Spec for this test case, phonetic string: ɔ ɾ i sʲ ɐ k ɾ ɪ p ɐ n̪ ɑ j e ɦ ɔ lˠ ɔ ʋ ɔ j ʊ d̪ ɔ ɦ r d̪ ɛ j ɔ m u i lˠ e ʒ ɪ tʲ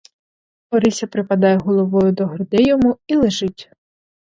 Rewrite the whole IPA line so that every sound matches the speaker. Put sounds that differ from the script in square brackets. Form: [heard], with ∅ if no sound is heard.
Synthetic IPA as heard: ɔ ɾ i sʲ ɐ [p] ɾ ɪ p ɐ [d̪] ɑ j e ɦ ɔ lˠ ɔ ʋ ɔ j ʊ d̪ ɔ ɦ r d̪ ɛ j ɔ m u i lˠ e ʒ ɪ tʲ

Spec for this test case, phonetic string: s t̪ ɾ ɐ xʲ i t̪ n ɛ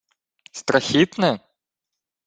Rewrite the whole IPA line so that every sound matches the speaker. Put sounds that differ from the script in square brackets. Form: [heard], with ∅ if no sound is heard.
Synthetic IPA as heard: s t̪ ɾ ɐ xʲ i t̪ n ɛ

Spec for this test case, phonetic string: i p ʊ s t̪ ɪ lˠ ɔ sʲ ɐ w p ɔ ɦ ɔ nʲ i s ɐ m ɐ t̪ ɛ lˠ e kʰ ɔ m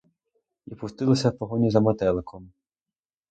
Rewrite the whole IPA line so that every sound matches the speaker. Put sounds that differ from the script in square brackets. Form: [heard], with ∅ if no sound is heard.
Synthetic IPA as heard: i p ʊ s t̪ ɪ lˠ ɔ sʲ ɐ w p ɔ ɦ ɔ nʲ i [z] ɐ m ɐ t̪ ɛ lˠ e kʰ ɔ m

